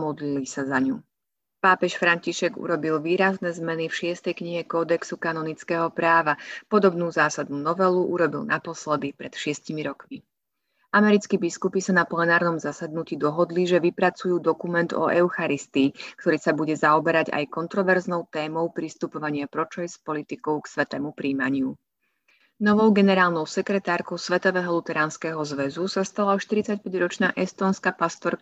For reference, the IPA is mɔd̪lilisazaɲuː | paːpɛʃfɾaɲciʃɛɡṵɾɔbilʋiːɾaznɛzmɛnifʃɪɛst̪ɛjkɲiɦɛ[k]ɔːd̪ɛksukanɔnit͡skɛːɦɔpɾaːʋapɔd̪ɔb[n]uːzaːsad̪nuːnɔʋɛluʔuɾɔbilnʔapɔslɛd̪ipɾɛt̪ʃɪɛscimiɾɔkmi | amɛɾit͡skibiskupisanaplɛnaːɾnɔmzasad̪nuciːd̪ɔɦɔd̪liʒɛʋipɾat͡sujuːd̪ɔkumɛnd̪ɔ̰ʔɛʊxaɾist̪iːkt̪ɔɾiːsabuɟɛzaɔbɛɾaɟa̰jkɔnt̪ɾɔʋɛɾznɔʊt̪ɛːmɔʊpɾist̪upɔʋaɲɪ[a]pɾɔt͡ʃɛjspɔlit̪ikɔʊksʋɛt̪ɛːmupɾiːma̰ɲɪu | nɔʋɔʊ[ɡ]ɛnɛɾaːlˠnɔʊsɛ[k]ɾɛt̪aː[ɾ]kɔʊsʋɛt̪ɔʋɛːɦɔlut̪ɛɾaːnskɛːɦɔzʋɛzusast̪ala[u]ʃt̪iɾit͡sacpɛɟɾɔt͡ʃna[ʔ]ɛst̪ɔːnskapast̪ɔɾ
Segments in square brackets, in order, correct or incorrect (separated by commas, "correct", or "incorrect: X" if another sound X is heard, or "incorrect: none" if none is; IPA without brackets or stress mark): correct, correct, correct, correct, correct, correct, incorrect: ɔ, correct